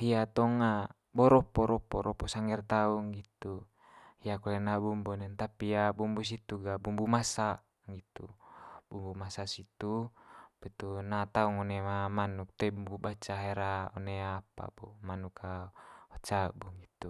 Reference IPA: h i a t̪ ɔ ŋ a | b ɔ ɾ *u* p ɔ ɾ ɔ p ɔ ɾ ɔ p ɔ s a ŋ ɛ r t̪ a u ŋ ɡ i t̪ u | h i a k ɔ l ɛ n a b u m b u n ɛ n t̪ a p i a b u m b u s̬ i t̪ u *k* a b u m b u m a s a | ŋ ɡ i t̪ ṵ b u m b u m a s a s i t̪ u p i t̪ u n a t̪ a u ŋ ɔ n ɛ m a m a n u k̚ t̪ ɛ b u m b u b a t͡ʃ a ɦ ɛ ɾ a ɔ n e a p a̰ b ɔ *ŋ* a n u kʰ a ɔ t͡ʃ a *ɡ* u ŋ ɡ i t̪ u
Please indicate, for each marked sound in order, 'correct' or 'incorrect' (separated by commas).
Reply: incorrect, incorrect, incorrect, incorrect